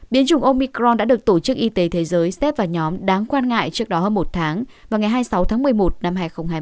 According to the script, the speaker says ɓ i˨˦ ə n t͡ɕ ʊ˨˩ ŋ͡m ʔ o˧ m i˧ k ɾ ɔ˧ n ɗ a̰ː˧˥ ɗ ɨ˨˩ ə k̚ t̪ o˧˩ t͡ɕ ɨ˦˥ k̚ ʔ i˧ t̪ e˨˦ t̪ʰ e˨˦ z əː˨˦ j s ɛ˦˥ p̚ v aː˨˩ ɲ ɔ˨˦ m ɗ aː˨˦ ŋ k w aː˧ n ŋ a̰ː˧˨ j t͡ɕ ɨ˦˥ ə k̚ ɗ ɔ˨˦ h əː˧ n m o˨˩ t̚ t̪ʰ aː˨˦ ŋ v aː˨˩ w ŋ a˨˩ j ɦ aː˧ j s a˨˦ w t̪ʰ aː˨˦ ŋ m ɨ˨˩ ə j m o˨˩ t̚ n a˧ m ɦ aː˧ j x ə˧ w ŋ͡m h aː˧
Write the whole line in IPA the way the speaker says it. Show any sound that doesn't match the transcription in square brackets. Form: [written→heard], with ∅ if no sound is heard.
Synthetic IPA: ɓ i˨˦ ə n t͡ɕ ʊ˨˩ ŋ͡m ʔ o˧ m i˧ k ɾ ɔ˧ n ɗ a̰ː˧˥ ɗ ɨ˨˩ ə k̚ t̪ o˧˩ t͡ɕ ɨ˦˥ k̚ ʔ i˧ t̪ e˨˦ t̪ʰ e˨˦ z əː˨˦ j s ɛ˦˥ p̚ v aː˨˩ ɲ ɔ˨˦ m ɗ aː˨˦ ŋ k w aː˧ n ŋ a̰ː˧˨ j t͡ɕ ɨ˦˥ ə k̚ ɗ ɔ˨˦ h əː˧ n m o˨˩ t̚ t̪ʰ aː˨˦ ŋ v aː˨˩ w ŋ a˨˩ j ɦ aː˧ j s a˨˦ w t̪ʰ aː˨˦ ŋ m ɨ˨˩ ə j m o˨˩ t̚ n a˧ m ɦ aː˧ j x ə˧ w ŋ͡m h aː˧